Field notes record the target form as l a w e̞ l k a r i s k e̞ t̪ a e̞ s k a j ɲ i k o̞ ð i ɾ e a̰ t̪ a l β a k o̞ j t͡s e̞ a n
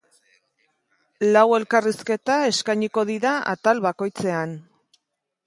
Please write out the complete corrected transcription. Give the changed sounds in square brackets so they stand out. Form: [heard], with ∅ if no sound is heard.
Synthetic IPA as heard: l a w e̞ l k a r i s k e̞ t̪ a e̞ s k a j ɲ i k o̞ ð i ɾ [a] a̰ t̪ a l β a k o̞ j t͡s e̞ a n